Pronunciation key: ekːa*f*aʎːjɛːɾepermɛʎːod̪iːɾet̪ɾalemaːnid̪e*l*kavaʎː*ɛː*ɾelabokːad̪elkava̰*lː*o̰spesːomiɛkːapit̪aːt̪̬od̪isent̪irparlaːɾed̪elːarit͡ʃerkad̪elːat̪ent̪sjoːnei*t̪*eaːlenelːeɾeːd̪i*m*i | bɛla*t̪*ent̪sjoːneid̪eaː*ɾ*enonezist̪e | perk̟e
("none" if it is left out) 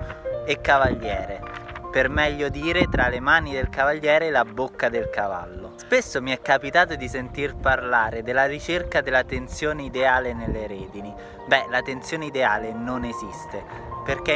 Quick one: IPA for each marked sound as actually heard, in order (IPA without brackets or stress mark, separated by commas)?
v, l, ɛː, lː, d̪, n, t̪, l